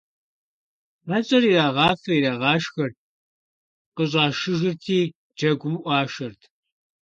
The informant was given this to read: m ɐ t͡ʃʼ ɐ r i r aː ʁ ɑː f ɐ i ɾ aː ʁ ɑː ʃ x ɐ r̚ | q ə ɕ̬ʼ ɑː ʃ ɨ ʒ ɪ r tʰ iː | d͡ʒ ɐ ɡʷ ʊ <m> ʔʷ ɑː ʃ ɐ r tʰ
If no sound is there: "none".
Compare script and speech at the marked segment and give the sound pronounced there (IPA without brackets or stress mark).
m